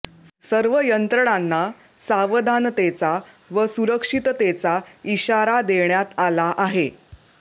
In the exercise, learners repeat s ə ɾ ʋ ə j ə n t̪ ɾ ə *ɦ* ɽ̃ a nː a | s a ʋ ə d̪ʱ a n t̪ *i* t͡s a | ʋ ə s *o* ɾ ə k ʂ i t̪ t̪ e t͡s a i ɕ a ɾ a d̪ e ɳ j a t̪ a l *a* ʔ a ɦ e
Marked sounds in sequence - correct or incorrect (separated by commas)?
incorrect, incorrect, incorrect, correct